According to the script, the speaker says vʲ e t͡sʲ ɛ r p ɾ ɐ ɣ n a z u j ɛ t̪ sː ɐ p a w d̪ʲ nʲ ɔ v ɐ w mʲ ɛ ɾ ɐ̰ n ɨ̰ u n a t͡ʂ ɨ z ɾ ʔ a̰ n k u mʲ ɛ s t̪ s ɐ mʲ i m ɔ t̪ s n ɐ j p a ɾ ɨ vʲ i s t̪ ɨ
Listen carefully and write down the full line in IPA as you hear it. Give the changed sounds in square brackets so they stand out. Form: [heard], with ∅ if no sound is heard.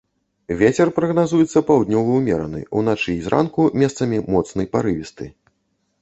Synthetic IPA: vʲ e t͡sʲ ɛ r p ɾ ɐ ɣ n a z u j ɛ t̪ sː ɐ p a w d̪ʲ nʲ ɔ v ɐ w mʲ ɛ ɾ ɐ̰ n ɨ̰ u n a t͡ʂ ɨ z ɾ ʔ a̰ n k u mʲ ɛ s t̪ s ɐ mʲ i m ɔ t̪ s n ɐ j p a ɾ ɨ vʲ i s t̪ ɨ

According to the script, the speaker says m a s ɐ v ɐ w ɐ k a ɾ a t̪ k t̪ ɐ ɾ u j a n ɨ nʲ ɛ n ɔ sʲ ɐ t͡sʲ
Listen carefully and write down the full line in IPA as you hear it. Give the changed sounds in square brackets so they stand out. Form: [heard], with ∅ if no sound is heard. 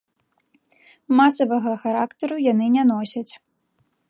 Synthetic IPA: m a s ɐ v ɐ [ɣ] ɐ [x] a ɾ a [∅] k t̪ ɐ ɾ u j a n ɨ nʲ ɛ n ɔ sʲ ɐ t͡sʲ

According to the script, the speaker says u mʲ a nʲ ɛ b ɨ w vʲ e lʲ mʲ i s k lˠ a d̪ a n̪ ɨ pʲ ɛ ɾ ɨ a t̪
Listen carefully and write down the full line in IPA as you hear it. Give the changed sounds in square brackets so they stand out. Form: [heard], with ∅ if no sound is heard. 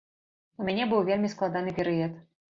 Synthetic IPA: u mʲ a nʲ ɛ b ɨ w vʲ e lʲ mʲ i s k lˠ a d̪ a n̪ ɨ pʲ ɛ ɾ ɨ [ɛ] t̪

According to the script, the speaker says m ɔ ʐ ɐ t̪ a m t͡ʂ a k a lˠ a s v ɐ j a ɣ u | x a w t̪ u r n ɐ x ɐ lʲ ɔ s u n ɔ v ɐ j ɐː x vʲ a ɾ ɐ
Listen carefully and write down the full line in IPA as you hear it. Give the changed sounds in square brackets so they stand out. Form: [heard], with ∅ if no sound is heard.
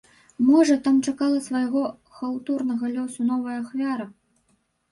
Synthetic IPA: m ɔ ʐ ɐ t̪ a m t͡ʂ a k a lˠ [ɐ] s v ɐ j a ɣ [ɔ] | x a w t̪ u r n ɐ [ɣ] ɐ lʲ ɔ s u n ɔ v ɐ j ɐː x vʲ a ɾ ɐ

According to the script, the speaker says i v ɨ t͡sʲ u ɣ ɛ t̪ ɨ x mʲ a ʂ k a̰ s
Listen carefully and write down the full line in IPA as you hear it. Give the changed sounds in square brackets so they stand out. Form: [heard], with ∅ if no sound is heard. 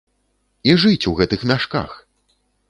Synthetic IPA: i [ʐ] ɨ t͡sʲ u ɣ ɛ t̪ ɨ x mʲ a ʂ k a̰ [x]

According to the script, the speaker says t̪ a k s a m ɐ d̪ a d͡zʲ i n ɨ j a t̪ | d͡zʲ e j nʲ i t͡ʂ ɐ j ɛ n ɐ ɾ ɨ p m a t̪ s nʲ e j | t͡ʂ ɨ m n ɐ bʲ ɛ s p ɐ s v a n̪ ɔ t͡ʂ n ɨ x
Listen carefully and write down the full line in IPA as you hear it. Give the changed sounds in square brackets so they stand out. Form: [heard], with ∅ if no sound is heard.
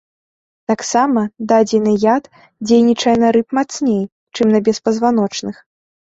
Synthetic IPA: t̪ a k s a m ɐ d̪ a d͡zʲ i n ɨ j a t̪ | d͡zʲ e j nʲ i t͡ʂ ɐ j ɛ n ɐ ɾ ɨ p m a t̪ s nʲ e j | t͡ʂ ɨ m n ɐ bʲ ɛ s p ɐ [z] v a n̪ ɔ t͡ʂ n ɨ x

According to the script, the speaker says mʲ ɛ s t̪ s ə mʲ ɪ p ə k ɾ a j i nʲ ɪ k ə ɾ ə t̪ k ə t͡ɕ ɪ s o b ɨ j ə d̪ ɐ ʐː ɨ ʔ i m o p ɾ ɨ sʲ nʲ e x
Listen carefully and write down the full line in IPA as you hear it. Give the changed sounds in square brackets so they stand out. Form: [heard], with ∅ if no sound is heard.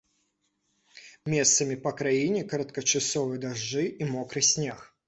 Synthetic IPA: mʲ [e] s t̪ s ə mʲ ɪ p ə k ɾ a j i nʲ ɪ k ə ɾ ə t̪ k ə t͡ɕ ɪ s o [v] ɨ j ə d̪ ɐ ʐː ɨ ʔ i m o [k] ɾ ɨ sʲ nʲ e x

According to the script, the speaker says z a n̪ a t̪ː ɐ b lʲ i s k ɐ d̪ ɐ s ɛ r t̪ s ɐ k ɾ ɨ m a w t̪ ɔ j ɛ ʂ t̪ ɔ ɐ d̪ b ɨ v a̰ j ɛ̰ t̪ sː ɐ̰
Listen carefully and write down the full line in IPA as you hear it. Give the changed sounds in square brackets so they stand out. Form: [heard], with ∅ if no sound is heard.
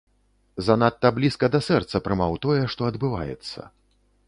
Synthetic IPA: z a n̪ a t̪ː ɐ b lʲ i s k ɐ d̪ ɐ s ɛ r t̪ s ɐ [p] ɾ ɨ m a w t̪ ɔ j ɛ ʂ t̪ ɔ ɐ d̪ b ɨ v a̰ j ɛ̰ t̪ sː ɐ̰

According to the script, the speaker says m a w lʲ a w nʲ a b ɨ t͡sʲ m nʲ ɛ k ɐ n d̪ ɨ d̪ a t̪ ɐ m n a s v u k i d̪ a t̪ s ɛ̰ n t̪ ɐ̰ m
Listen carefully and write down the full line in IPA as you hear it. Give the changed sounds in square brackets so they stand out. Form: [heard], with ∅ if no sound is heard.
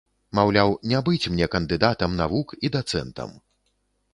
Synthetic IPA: m a w lʲ a w nʲ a b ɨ t͡sʲ m nʲ ɛ k ɐ n d̪ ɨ d̪ a t̪ ɐ m n a [∅] v u k i d̪ a t̪ s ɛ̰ n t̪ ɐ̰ m

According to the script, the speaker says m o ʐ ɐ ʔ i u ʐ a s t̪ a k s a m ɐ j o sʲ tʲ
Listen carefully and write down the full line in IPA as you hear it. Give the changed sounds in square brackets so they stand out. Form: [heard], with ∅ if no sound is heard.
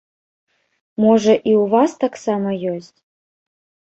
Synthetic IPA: m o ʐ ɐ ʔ i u [v] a s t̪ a k s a m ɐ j o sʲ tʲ

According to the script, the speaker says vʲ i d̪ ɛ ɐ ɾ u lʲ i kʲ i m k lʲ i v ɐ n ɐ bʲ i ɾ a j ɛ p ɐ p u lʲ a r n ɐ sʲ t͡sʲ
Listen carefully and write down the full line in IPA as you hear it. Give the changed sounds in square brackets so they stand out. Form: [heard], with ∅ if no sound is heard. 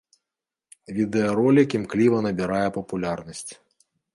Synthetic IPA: vʲ i d̪ ɛ ɐ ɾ [ɔ] lʲ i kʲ i m k lʲ i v ɐ n ɐ bʲ i ɾ a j ɛ p ɐ p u lʲ a r n ɐ sʲ t͡sʲ

